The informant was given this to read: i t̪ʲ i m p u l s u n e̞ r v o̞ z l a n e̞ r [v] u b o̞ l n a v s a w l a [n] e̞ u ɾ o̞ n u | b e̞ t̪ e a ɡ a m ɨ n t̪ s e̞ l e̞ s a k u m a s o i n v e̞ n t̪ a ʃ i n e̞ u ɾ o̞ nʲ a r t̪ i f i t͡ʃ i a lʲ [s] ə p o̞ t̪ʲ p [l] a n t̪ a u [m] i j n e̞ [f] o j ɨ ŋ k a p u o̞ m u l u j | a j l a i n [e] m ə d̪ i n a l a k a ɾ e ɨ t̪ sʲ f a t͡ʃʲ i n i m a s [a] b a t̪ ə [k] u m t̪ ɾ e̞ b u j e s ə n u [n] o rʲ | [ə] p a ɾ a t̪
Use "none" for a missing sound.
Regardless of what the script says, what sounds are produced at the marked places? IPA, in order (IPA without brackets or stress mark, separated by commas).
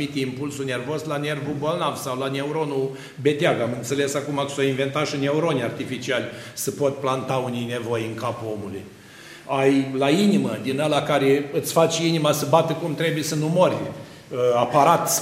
v, n, s, l, n, v, i, ə, k, m, a